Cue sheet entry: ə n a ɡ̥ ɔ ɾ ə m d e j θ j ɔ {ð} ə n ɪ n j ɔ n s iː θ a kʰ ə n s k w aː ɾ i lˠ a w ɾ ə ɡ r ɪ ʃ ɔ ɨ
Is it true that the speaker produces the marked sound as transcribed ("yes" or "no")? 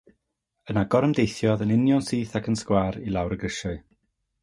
yes